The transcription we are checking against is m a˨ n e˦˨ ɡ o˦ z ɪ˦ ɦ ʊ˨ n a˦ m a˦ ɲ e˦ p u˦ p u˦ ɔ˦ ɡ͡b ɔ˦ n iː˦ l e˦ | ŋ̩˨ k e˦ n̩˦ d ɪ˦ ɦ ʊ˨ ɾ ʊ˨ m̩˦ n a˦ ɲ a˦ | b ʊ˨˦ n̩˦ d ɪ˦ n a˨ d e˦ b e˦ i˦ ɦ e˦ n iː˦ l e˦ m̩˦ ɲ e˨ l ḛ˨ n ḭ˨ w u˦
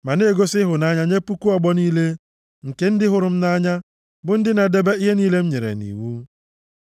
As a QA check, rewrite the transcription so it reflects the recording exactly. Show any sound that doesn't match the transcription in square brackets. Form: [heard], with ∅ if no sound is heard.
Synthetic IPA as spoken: m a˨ n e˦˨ ɡ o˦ [s] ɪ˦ ɦ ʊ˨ n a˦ [ɲ] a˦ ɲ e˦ p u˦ [k] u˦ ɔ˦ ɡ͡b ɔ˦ n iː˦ l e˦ | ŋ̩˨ k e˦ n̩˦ d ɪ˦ ɦ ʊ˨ ɾ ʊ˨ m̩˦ n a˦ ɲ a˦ | b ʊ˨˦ n̩˦ d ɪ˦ n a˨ d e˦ b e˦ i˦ ɦ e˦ n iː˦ l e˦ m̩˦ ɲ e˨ [ɾ] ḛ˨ n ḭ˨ w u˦